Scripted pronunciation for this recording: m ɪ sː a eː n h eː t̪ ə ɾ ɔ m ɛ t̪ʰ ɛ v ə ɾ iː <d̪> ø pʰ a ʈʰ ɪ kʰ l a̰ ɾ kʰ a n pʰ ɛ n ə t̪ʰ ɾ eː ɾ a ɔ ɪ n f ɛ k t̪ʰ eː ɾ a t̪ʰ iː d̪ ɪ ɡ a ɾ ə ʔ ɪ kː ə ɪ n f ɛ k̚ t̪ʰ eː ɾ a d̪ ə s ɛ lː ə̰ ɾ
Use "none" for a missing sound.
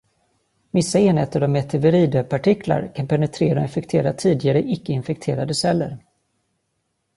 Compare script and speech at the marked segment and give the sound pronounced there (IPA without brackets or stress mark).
d̪